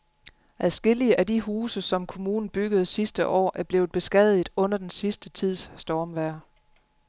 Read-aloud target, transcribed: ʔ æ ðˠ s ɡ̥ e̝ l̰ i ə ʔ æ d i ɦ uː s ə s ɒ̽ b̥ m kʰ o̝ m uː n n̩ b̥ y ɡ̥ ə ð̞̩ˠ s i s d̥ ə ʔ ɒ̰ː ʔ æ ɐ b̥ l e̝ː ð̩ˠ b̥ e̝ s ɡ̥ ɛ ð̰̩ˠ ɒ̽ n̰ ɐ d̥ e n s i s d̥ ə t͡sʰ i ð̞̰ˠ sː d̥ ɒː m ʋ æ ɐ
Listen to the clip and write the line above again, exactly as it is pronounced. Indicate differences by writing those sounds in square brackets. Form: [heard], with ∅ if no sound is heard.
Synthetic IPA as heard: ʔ æ ðˠ s ɡ̥ e̝ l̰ i ə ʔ æ d i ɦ uː s ə s ɒ̽ [∅] m kʰ o̝ m uː n n̩ b̥ y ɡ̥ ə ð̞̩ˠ s i s d̥ ə ʔ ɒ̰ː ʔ æ ɐ b̥ l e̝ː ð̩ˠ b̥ e̝ s ɡ̥ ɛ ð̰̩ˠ [ɔ̽] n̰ ɐ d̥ e n s i s d̥ ə t͡sʰ i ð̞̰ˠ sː d̥ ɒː m ʋ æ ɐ

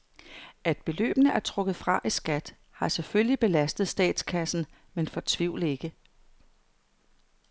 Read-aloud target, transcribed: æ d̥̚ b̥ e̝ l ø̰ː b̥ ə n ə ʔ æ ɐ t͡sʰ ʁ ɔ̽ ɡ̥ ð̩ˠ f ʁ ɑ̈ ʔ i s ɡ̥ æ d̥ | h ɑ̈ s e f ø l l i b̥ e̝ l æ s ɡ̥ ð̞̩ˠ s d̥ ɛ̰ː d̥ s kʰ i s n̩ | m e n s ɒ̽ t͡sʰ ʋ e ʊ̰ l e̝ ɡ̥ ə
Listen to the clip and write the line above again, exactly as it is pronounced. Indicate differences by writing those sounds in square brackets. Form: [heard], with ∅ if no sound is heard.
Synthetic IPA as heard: æ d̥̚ b̥ e̝ l ø̰ː b̥ ə n ə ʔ æ ɐ t͡sʰ ʁ ɔ̽ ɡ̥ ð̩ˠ f ʁ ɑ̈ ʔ i s ɡ̥ æ d̥ | h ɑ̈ s e f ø l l i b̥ e̝ l æ s [d̥] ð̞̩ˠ s d̥ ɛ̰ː d̥ s kʰ [æ] s n̩ | m e n [f] ɒ̽ t͡sʰ ʋ [i] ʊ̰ l e̝ ɡ̥ ə

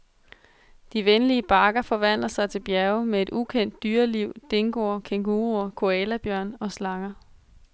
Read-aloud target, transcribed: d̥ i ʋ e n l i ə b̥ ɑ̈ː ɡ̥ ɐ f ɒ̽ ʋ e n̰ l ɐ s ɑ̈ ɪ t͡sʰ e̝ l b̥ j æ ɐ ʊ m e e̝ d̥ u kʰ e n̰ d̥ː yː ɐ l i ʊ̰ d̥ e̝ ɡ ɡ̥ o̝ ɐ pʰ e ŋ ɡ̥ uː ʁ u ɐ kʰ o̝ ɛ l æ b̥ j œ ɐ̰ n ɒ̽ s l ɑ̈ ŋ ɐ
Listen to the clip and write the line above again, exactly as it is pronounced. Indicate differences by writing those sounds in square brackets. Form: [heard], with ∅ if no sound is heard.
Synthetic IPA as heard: d̥ i ʋ e n l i ə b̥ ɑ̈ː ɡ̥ ɐ f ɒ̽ ʋ [æ] n̰ l ɐ s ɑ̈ ɪ t͡sʰ e̝ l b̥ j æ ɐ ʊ m e e̝ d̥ u kʰ e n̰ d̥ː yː ɐ l i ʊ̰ d̥ e̝ [ŋ] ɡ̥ o̝ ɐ [kʰ] e ŋ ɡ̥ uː ʁ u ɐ kʰ o̝ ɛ l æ b̥ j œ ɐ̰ n ɒ̽ s l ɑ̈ ŋ ɐ

